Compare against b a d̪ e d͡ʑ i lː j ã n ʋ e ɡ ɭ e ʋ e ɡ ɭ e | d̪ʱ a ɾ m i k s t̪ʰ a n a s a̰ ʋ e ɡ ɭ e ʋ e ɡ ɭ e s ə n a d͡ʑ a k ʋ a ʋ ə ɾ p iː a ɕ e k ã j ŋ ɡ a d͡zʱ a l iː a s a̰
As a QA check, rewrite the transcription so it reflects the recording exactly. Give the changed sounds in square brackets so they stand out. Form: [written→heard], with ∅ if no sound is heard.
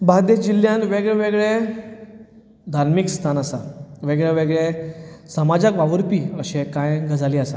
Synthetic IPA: b a d̪ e d͡ʑ i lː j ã n ʋ e ɡ ɭ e ʋ e ɡ ɭ e | d̪ʱ a ɾ m i k s t̪ʰ a n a s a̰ ʋ e ɡ ɭ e ʋ e ɡ ɭ e s ə [n→m] a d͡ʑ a k ʋ a ʋ ə ɾ p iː [a→ə] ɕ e k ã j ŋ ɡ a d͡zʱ a l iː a s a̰